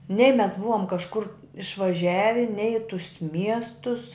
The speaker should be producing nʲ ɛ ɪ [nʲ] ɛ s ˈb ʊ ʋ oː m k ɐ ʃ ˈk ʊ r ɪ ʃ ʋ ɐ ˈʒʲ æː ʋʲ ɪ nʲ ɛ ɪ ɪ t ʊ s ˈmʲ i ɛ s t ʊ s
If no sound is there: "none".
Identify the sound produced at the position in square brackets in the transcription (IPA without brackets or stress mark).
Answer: mʲ